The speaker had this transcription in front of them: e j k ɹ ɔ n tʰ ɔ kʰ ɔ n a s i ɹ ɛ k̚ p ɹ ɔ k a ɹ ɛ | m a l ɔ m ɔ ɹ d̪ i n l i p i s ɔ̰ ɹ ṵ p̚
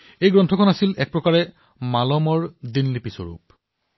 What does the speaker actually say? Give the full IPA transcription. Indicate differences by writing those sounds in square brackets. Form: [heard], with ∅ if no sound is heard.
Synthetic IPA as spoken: e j [ɡ] ɹ ɔ n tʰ ɔ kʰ ɔ n a s i [l] ɛ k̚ p ɹ ɔ k a ɹ ɛ | m a l ɔ m ɔ ɹ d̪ i n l i p i s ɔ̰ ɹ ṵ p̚